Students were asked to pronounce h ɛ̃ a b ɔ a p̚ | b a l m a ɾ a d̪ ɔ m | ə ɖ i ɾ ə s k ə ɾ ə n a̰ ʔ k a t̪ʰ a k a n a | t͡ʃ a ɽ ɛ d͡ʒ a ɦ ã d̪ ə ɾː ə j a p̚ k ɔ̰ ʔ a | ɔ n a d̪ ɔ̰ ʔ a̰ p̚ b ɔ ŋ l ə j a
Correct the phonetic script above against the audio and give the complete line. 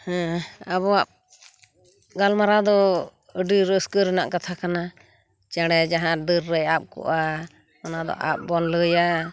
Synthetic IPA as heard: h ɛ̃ a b ɔ a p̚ | ɡ a l m a ɾ a d̪ ɔ | ə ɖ i ɾ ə s k ə ɾ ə n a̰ ʔ k a t̪ʰ a k a n a | t͡ʃ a ɽ ɛ d͡ʒ a ɦ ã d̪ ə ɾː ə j a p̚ k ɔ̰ ʔ a | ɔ n a d̪ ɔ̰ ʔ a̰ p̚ b ɔ n l ə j a